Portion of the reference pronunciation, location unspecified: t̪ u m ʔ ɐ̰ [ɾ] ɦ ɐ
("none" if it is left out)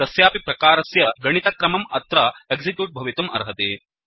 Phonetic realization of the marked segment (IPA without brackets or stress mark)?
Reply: ɾ